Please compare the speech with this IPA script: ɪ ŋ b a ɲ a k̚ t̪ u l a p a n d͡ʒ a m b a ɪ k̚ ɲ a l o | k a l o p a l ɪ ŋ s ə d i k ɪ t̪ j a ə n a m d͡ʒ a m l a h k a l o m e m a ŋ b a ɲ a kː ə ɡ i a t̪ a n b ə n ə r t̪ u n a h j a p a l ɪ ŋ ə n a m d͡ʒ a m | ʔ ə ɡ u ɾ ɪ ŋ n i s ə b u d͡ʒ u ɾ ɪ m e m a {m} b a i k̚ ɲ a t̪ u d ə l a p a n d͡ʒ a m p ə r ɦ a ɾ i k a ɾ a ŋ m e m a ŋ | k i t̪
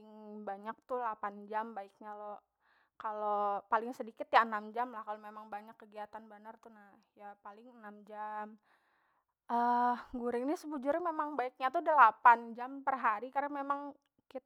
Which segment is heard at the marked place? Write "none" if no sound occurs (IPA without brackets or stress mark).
ŋ